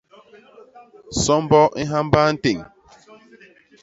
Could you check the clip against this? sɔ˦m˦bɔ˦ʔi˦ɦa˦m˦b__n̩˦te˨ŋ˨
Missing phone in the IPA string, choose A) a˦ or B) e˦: A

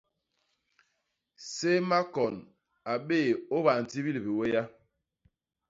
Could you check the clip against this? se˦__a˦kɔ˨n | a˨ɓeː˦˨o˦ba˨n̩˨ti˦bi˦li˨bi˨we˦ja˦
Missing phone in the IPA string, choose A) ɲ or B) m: B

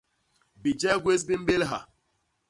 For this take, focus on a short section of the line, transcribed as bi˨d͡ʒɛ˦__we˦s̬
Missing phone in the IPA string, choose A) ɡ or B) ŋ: A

